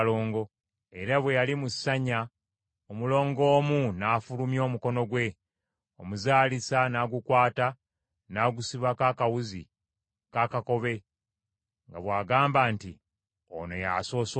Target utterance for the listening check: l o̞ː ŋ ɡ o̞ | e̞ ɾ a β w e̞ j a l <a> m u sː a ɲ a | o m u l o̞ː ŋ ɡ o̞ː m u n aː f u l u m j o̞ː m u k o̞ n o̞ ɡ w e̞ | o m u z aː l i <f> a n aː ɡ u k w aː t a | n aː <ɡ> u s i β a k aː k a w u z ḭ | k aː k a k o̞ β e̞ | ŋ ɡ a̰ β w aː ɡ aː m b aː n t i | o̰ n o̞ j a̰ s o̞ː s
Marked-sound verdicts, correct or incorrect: incorrect: i, incorrect: s, correct

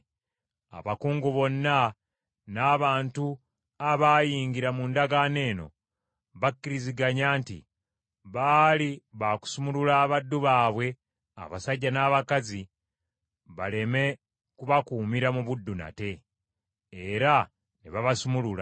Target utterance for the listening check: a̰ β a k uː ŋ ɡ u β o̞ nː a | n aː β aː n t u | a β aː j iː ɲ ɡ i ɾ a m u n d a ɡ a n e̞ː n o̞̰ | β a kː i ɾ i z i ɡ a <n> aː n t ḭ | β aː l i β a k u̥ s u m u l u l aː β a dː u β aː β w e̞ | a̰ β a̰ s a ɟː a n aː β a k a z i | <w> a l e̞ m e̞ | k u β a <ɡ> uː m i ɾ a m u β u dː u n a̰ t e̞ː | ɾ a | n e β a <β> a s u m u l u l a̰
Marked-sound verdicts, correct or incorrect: incorrect: ɲ, incorrect: β, incorrect: k, correct

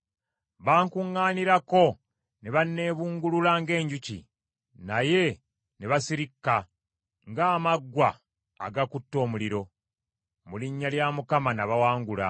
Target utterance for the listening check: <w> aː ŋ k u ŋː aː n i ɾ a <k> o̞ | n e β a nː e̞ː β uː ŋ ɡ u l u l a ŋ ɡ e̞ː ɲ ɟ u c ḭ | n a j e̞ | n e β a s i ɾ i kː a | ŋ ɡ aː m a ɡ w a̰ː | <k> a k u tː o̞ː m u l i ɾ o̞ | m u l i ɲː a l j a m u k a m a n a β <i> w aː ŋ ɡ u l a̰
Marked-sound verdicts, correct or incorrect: incorrect: β, correct, incorrect: ɡ, incorrect: a

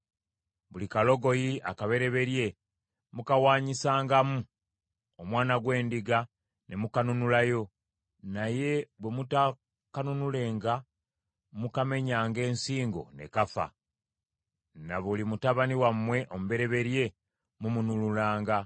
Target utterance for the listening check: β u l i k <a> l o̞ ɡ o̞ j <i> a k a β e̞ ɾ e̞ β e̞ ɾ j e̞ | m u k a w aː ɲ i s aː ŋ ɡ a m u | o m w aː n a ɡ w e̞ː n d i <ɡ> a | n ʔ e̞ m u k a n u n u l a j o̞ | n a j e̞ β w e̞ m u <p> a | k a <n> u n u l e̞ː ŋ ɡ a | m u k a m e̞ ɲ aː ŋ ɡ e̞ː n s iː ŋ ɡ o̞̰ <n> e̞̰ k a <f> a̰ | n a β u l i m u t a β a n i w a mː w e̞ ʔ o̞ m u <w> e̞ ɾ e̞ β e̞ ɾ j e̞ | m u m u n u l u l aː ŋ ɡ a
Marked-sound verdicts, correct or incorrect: correct, correct, correct, incorrect: t, correct, correct, correct, incorrect: β

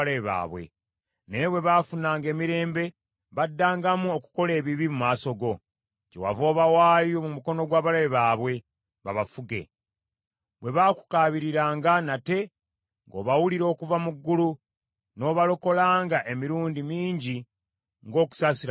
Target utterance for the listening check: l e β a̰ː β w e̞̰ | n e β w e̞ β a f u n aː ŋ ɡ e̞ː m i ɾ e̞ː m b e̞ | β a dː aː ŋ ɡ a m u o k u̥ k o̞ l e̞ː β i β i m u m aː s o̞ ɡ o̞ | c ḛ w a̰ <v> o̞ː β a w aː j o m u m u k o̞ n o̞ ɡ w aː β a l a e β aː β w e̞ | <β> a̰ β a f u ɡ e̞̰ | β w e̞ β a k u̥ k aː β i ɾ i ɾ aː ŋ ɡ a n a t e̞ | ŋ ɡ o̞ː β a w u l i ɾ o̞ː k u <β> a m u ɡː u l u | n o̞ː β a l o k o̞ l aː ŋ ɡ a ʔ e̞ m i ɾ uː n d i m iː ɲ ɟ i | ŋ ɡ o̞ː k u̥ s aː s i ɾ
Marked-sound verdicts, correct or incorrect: correct, correct, incorrect: v

